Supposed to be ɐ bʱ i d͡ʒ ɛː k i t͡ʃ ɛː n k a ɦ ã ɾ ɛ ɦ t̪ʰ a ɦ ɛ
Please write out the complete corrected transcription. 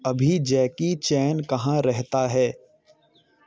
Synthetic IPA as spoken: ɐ bʱ i d͡ʒ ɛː k i t͡ʃ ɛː n k ɐ ɦ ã ɾ ɛ ɦ t̪ a ɦ ɛː